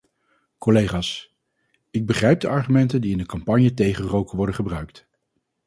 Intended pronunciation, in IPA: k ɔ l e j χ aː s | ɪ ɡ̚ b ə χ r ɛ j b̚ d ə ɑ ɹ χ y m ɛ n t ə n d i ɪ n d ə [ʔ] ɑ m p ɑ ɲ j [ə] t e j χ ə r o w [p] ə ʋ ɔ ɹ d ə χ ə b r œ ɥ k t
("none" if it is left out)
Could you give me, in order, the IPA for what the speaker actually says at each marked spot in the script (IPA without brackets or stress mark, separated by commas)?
k, ə, k